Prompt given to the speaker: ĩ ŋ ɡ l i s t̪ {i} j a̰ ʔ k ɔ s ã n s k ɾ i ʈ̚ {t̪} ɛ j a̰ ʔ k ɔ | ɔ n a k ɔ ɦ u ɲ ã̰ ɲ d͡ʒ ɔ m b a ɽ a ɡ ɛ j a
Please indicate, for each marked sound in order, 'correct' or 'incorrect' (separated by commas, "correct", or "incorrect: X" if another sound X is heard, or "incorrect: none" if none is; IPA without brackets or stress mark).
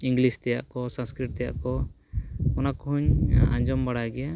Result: incorrect: ɛ, correct